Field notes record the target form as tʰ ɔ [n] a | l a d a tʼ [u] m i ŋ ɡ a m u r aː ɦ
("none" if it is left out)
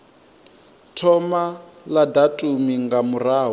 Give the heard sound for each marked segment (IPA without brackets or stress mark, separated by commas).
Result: m, u